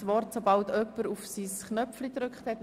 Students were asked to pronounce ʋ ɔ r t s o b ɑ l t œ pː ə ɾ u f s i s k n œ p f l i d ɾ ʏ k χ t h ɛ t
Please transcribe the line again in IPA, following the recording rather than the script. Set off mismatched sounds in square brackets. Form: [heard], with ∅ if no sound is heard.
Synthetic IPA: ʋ ɔ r t s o b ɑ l t œ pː ə ɾ u f s i s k n œ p f l i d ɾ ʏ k χ t h ɛ t